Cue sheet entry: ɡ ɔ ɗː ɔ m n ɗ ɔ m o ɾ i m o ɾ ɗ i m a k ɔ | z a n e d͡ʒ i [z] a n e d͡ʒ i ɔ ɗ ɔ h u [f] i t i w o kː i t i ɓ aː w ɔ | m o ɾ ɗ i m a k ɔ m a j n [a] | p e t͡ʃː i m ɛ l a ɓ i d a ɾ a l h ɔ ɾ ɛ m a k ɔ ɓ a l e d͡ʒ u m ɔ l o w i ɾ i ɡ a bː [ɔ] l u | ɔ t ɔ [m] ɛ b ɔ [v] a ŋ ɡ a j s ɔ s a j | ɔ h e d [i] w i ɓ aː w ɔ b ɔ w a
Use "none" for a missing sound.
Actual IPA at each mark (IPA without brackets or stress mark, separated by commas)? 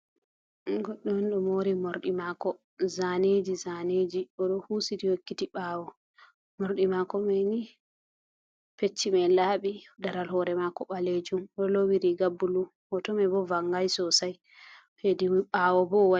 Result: z, s, i, u, m, v, i